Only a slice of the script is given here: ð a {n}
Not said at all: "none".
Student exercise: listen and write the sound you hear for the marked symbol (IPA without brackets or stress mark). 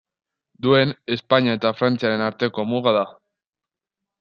none